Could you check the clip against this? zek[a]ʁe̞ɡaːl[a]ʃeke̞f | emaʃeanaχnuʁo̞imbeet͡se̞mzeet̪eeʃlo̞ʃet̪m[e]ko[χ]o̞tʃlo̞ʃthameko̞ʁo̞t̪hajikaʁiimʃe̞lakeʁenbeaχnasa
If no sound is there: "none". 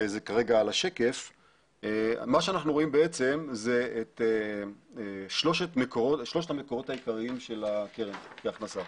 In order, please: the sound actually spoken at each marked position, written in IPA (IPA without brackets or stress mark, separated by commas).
a, a, e, ʁ